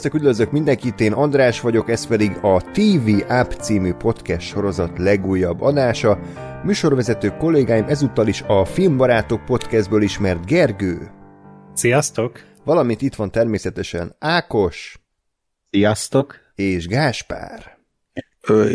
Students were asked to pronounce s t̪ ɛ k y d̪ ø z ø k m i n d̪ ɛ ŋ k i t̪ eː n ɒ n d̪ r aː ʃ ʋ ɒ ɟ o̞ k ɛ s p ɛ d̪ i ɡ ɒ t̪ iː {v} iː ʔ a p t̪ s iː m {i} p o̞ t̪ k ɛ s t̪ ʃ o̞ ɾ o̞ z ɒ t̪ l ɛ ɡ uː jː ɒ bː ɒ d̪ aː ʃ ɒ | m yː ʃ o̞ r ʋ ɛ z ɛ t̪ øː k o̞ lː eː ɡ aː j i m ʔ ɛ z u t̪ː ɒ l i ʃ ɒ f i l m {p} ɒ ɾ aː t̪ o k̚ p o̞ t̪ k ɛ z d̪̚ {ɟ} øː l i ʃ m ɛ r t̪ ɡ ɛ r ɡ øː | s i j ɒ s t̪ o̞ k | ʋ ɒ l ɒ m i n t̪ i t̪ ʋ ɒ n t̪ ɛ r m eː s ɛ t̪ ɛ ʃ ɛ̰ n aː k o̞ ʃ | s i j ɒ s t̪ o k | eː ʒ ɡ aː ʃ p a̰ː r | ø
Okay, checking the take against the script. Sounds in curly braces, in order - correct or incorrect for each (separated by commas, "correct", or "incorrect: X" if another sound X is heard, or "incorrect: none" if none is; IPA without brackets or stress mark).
correct, incorrect: y, incorrect: b, incorrect: b